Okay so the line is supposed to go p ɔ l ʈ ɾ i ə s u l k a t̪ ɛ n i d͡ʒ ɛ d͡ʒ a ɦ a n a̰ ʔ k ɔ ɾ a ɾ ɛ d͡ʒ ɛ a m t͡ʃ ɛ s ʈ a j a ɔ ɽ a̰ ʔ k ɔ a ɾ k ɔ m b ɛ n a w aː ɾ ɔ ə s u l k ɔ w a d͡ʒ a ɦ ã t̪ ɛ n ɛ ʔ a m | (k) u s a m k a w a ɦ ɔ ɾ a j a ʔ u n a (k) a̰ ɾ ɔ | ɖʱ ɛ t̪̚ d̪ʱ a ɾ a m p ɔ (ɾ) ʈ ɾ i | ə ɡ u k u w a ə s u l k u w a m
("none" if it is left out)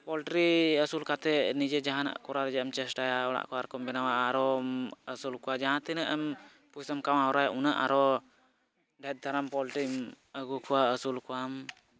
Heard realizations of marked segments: p, ʔ, l

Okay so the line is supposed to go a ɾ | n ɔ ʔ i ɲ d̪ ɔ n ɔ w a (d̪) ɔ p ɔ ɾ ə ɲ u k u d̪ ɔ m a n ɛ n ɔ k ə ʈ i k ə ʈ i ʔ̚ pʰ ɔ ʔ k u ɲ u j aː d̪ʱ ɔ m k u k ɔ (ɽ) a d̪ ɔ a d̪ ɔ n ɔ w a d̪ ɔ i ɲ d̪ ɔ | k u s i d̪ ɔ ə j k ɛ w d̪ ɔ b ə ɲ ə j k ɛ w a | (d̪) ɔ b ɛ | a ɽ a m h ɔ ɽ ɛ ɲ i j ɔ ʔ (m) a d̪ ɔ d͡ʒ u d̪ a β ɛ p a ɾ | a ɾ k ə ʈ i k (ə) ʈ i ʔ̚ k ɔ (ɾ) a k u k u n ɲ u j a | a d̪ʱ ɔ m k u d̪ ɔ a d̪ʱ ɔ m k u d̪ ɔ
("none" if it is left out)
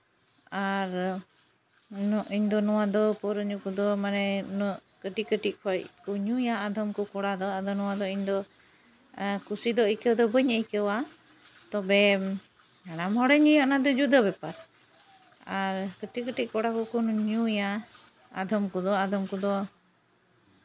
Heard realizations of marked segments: d̪, ɽ, t̪, n, ə, ɽ

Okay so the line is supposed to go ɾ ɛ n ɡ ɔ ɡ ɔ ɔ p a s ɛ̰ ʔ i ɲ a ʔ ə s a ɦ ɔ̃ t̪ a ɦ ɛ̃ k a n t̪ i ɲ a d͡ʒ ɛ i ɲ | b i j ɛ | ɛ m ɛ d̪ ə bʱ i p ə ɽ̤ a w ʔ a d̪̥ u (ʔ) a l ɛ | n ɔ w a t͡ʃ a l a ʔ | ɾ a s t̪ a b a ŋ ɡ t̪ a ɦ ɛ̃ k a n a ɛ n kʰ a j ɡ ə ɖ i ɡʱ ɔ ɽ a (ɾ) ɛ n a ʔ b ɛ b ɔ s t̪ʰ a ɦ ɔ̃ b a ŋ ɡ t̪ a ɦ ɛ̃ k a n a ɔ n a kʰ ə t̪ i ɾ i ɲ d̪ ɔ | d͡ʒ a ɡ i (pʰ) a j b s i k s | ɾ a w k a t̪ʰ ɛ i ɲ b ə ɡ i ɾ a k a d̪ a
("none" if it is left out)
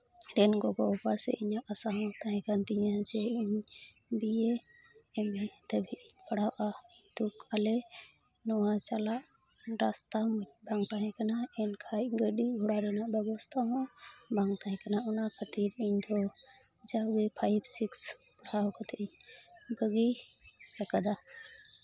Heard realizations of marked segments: k, ɾ, pʰ

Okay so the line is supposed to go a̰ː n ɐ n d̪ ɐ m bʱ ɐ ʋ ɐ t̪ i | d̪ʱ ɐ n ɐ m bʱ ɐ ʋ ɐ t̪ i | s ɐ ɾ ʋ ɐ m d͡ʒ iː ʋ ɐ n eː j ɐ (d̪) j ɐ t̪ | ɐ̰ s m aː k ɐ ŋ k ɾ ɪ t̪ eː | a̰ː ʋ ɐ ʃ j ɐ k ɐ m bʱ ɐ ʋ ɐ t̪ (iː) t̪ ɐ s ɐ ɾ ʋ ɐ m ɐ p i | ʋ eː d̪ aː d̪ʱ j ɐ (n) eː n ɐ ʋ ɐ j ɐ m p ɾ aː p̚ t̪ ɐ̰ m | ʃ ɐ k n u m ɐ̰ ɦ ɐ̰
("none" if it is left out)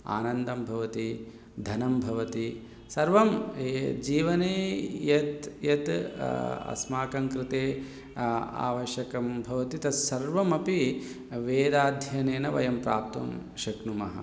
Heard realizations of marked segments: t̪, i, n

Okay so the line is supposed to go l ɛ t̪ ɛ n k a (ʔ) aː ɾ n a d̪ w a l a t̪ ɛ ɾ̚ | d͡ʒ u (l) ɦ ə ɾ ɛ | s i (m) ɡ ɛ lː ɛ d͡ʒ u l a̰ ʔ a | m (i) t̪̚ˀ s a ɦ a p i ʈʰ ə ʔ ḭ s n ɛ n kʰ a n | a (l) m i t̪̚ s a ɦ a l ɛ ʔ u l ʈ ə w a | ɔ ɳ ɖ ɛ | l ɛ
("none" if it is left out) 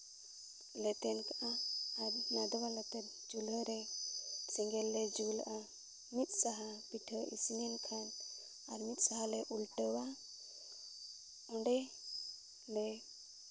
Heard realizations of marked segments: ʔ, l, ŋ, i, ɾ

